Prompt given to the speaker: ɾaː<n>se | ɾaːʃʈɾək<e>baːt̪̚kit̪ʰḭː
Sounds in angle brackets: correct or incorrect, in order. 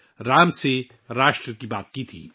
incorrect: m, incorrect: i

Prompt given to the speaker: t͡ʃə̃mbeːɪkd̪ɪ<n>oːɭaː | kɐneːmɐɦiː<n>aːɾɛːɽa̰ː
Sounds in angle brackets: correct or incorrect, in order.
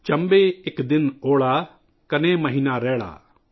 correct, correct

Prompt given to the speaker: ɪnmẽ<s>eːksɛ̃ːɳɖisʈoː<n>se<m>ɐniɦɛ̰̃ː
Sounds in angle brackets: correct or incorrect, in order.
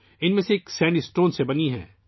correct, correct, incorrect: b

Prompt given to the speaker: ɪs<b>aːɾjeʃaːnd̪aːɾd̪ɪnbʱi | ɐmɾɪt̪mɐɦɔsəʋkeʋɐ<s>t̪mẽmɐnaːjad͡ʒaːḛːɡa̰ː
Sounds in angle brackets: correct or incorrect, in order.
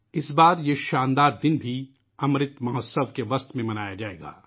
correct, correct

